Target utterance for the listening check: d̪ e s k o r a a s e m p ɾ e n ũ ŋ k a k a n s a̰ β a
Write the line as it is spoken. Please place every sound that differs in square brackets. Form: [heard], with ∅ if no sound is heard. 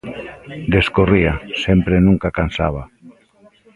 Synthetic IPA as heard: d̪ e s k o r [i] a s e m p ɾ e n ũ ŋ k a k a n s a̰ β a